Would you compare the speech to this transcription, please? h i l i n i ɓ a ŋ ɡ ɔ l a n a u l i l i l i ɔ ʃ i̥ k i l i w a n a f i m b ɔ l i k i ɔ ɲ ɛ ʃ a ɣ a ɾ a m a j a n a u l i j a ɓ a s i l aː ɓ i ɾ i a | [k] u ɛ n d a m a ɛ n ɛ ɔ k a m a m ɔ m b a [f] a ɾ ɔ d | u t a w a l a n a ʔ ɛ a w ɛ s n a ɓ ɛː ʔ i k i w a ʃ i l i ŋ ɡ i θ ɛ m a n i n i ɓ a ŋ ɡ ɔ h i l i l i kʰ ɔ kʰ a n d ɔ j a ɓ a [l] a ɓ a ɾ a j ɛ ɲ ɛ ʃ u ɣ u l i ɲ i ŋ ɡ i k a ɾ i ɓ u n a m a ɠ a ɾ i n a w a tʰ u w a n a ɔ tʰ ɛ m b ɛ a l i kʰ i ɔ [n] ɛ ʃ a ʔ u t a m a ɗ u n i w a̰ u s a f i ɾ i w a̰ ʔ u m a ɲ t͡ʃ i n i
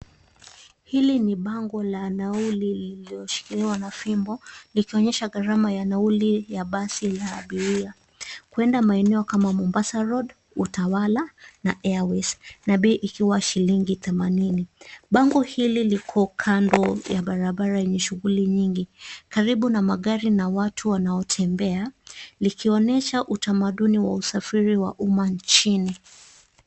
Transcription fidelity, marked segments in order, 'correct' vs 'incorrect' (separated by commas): correct, incorrect, incorrect, correct